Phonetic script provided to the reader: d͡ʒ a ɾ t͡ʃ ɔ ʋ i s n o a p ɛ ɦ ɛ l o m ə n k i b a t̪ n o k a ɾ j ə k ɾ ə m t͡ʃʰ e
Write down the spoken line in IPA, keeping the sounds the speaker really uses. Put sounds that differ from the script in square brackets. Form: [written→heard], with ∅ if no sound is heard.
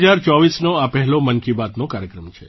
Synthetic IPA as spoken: d͡ʒ a ɾ t͡ʃ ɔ ʋ i s n o a p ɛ ɦ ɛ l o m ə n k i b a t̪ n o k a ɾ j ə k ɾ ə m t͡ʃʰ e